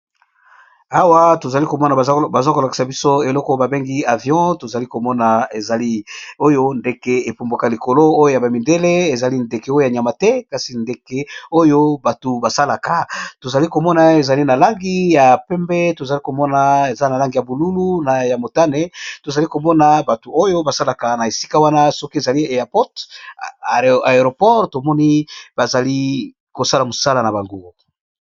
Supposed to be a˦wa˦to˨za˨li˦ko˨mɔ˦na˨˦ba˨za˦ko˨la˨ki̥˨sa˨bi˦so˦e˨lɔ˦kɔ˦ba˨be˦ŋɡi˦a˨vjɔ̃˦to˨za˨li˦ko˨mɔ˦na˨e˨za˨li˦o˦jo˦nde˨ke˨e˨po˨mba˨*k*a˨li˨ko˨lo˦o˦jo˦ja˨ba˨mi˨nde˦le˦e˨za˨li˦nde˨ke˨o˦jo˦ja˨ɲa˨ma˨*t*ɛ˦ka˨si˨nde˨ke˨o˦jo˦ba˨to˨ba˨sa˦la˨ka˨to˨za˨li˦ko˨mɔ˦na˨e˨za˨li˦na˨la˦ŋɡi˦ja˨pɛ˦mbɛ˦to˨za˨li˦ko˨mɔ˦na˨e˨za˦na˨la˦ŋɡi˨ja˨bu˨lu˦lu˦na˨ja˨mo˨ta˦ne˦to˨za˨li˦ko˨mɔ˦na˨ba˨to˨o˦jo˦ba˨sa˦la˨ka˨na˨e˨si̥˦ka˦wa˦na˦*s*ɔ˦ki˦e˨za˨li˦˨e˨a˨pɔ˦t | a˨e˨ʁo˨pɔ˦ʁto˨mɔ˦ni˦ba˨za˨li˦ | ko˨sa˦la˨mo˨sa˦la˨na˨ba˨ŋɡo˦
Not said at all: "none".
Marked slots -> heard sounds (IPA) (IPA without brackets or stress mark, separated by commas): k, t, s